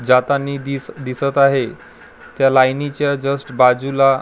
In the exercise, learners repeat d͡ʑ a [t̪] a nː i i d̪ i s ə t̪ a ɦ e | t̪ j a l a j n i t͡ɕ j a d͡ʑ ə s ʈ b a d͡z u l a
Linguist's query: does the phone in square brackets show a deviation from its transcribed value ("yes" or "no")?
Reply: no